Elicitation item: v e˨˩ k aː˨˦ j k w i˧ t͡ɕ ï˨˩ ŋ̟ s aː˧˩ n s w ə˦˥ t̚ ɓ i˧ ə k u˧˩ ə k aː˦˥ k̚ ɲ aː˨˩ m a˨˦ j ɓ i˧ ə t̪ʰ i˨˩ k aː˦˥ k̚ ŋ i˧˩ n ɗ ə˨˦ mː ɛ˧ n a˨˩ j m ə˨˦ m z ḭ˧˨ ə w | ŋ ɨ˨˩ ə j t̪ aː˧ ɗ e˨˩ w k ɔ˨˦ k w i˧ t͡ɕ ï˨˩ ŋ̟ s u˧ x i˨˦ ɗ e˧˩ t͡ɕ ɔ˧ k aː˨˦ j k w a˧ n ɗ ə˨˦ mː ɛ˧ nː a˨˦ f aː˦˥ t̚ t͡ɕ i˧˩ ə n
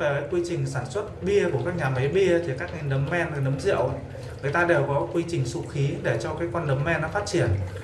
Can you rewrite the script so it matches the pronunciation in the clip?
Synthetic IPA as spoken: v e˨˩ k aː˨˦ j k w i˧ t͡ɕ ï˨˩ ŋ̟ s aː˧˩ n s w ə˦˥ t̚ ɓ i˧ ə k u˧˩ ə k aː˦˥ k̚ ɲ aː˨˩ m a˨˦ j ɓ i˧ ə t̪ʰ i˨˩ k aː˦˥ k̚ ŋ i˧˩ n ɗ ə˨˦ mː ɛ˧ n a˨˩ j n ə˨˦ m z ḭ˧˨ ə w | ŋ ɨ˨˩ ə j t̪ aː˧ ɗ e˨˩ w k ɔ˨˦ k w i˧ t͡ɕ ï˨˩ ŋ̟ s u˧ x i˨˦ ɗ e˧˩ t͡ɕ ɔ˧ k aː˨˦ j k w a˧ n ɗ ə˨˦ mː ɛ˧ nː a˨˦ f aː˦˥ t̚ t͡ɕ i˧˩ ə n